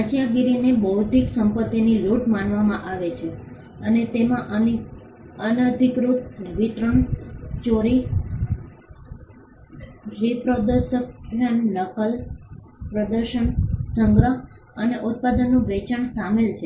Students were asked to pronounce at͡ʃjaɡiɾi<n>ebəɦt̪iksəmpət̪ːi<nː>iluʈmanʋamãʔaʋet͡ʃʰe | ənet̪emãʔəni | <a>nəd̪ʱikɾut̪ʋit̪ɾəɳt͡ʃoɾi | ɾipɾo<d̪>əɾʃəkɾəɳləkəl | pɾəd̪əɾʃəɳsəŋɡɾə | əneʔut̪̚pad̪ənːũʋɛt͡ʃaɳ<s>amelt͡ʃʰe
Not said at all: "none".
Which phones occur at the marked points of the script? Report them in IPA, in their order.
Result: n, n, ə, d̪, s

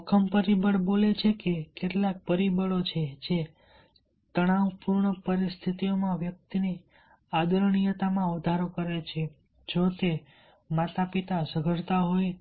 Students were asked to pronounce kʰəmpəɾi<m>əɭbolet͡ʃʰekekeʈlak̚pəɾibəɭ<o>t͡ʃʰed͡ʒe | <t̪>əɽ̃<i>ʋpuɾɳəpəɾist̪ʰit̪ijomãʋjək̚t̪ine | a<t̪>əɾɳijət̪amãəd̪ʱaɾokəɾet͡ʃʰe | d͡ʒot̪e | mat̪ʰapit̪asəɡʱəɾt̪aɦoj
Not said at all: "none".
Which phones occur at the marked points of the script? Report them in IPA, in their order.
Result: b, o, t̪, a, d̪

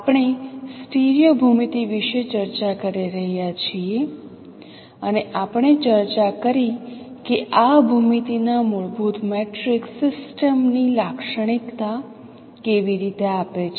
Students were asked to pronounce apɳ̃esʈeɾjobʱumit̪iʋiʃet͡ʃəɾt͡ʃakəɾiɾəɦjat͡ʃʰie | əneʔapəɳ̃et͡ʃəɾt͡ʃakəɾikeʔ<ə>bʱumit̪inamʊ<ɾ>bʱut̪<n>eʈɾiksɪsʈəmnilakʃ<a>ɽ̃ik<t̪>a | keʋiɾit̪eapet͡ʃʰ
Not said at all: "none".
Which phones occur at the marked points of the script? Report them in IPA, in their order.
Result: a, ɭ, m, ə, t̪

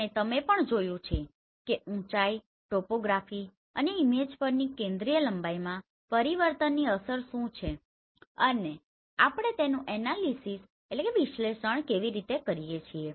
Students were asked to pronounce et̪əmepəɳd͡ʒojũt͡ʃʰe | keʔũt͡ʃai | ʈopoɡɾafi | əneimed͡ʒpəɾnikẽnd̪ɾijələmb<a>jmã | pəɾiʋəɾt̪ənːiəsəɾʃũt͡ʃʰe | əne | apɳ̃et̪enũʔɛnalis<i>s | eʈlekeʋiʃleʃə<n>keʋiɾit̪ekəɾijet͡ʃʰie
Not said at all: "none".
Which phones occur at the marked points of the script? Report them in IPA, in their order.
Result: a, i, ɳ

